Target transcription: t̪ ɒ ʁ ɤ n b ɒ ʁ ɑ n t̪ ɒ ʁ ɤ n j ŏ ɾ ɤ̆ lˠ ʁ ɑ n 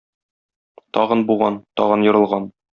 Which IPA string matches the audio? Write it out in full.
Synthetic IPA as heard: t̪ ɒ ʁ ɤ n b u ʁ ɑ n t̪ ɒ ʁ ɤ n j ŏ ɾ ɤ̆ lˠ ʁ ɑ n